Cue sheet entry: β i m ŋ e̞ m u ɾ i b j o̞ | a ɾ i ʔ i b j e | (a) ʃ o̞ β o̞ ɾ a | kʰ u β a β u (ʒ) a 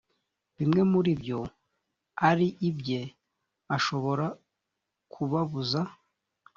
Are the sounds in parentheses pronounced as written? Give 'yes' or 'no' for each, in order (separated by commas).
yes, no